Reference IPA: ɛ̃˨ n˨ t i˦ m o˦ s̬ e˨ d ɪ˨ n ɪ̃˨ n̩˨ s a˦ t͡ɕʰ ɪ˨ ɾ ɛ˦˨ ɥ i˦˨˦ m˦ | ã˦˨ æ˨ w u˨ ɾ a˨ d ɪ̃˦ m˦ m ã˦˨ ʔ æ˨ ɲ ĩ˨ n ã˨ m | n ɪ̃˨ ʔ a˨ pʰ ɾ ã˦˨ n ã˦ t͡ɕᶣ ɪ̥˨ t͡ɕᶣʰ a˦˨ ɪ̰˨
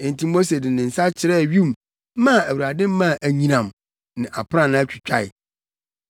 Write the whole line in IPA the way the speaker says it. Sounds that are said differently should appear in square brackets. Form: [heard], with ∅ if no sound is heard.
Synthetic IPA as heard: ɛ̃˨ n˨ t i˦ m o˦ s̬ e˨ d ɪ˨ n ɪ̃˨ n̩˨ s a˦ t͡ɕʰ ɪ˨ ɾ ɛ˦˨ ɥ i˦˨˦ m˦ | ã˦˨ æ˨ w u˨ ɾ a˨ d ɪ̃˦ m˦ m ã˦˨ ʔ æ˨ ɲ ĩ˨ n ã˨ m | n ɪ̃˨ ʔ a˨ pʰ ɾ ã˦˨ n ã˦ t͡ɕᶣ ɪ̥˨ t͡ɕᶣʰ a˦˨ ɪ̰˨